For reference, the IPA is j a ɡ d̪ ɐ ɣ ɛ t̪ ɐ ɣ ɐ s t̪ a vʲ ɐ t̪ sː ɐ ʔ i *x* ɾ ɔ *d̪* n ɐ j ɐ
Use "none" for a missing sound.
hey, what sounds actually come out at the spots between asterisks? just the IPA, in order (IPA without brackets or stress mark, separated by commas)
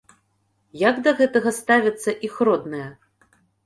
x, d̪